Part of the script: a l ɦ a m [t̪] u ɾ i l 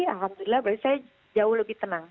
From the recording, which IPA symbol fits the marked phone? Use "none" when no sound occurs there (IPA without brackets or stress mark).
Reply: d̪